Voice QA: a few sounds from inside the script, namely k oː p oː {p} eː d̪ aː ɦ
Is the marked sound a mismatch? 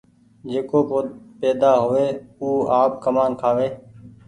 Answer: no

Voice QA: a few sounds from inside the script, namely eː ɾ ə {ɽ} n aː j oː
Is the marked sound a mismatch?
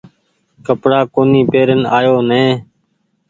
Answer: yes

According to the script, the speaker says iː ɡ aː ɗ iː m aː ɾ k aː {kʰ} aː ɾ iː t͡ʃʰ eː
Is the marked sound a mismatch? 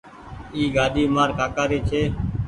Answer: yes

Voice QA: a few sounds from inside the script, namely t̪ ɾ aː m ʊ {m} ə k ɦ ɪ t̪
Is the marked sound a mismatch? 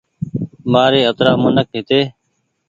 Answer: yes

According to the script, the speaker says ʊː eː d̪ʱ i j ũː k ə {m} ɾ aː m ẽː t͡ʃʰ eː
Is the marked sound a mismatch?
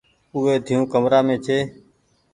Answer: no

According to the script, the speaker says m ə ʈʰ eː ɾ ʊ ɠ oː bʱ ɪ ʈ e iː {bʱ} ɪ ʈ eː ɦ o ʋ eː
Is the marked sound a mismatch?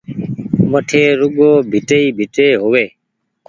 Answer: no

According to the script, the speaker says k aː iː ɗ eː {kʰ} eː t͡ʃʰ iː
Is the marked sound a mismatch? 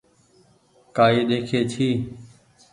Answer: no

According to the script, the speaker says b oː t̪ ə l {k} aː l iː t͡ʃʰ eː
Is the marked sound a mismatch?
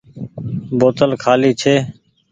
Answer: yes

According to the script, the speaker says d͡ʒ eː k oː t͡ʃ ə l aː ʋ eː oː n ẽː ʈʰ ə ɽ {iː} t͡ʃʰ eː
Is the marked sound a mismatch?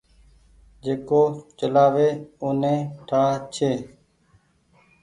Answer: yes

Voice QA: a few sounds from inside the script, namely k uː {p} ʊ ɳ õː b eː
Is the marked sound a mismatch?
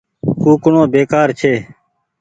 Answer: yes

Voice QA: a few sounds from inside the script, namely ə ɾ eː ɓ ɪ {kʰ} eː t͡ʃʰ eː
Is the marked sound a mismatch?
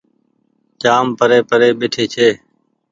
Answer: yes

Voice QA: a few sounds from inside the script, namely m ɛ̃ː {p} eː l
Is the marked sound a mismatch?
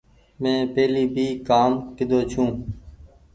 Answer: no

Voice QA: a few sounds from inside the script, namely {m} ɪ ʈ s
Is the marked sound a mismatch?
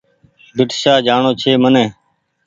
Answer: yes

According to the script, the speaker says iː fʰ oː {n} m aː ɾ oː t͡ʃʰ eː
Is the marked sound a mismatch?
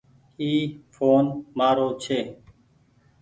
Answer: no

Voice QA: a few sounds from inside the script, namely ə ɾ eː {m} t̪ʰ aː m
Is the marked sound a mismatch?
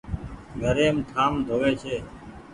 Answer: no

